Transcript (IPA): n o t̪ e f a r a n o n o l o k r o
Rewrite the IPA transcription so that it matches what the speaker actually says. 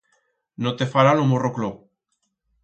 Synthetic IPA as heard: n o t̪ e f a ɾ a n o m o r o k l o